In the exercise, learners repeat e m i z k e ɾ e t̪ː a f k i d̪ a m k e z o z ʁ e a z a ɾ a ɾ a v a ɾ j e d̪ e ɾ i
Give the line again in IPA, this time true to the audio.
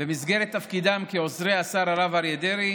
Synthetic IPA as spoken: e m i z ɡ e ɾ e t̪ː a f k i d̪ a m k e o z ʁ e a s a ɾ a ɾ a v a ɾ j e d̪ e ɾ i